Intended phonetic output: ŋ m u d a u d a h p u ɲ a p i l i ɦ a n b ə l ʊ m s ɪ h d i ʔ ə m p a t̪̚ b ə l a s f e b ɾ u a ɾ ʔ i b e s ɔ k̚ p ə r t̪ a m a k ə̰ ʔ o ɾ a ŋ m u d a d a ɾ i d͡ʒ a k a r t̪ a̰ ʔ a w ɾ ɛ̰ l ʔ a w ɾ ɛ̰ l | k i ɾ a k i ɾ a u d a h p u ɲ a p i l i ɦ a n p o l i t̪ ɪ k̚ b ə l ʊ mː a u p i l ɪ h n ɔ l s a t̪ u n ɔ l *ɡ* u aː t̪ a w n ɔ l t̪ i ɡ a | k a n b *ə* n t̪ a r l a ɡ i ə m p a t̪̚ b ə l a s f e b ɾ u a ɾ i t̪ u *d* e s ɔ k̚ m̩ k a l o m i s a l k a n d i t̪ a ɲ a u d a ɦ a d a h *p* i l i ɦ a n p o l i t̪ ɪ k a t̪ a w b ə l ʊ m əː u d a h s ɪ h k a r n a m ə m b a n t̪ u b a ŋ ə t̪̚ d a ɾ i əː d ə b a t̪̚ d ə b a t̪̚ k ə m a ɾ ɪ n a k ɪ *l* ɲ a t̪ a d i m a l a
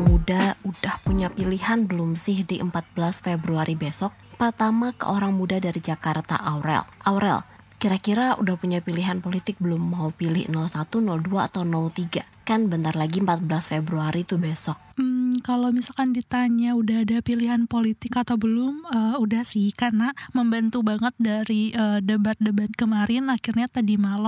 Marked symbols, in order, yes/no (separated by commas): no, yes, no, yes, no